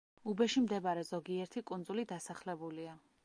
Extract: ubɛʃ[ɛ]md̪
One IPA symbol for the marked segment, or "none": i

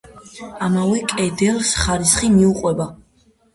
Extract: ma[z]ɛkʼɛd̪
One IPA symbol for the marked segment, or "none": v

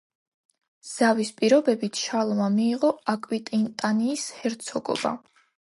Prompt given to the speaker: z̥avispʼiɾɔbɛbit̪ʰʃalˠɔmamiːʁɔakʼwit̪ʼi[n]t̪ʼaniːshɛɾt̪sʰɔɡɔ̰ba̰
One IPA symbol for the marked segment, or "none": n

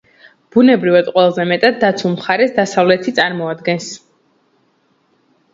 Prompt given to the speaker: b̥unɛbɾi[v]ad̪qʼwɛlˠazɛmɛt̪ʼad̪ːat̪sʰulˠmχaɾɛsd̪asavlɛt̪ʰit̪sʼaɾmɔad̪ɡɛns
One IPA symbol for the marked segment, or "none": v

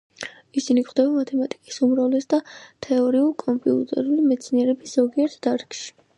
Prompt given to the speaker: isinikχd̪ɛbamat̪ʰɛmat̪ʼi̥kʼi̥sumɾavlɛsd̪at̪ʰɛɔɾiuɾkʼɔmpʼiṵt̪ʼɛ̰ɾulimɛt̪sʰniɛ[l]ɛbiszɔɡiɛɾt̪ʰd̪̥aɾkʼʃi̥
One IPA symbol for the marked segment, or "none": ɾ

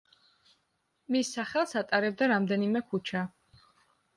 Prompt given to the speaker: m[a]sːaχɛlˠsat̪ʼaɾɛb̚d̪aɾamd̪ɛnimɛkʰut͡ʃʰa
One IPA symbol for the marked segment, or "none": i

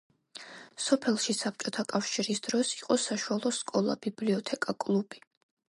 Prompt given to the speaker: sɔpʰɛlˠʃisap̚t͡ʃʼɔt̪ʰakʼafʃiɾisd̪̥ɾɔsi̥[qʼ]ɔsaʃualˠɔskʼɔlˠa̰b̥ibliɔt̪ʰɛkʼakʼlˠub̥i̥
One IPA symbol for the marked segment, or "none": qʼ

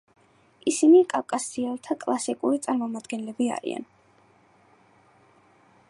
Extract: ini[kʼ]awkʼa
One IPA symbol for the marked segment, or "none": kʼ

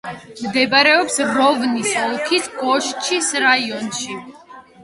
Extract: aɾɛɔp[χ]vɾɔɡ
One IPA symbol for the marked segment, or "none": s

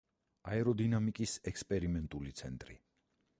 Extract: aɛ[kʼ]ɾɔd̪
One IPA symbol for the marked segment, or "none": none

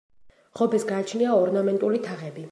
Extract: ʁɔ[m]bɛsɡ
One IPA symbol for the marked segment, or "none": none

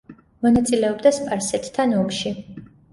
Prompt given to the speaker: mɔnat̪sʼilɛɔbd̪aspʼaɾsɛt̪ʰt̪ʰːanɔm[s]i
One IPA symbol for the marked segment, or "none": ʃ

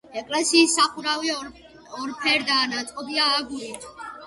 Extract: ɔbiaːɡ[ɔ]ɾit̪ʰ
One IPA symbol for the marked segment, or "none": u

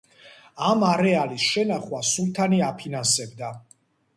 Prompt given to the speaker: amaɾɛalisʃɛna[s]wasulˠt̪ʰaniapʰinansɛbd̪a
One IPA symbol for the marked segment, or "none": χ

